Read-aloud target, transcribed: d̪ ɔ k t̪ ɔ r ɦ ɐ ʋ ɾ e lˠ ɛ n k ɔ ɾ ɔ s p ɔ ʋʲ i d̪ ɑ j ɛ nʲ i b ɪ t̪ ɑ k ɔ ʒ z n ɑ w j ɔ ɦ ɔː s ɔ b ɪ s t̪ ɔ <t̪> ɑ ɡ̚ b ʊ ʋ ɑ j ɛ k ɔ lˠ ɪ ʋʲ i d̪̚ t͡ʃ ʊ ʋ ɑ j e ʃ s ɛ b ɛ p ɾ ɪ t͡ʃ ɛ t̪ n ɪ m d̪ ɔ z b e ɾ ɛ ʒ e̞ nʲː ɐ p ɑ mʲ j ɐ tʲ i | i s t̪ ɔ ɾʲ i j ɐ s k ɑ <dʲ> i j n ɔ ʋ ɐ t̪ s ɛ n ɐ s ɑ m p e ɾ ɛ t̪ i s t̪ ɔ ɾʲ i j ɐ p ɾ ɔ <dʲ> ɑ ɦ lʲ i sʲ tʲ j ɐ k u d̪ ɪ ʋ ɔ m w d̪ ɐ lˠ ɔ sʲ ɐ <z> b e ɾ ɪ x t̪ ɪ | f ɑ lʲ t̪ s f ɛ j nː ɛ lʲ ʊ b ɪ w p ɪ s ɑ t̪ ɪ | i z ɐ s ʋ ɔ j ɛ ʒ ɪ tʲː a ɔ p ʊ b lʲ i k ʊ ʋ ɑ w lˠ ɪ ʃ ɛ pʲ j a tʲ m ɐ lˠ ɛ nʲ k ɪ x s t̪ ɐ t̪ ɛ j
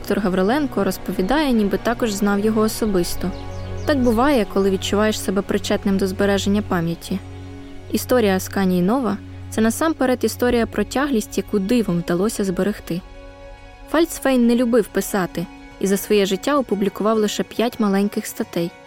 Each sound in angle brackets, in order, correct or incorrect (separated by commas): correct, incorrect, incorrect, correct